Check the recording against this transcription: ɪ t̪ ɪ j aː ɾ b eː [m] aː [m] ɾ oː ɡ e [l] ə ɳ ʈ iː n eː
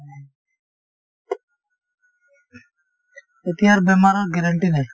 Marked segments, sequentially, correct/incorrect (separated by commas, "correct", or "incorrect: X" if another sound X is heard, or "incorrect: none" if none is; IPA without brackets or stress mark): correct, incorrect: none, incorrect: ɾ